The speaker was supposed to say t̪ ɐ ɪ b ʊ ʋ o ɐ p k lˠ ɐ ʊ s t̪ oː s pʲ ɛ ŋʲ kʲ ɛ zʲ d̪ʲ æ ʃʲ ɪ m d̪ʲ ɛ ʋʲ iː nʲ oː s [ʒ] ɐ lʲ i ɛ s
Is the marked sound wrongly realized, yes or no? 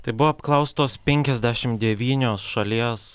yes